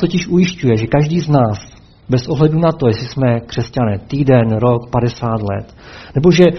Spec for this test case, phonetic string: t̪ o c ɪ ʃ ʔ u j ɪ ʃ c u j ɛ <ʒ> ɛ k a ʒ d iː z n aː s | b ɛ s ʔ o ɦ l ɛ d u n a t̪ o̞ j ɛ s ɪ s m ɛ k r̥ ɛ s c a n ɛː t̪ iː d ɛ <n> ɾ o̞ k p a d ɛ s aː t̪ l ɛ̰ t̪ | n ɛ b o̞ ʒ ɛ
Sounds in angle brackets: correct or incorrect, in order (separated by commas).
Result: correct, correct